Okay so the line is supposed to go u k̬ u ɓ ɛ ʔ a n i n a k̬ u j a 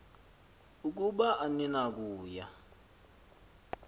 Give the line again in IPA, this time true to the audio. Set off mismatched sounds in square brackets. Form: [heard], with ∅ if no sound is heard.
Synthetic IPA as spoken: u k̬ u ɓ [a] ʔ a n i n a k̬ [uː] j a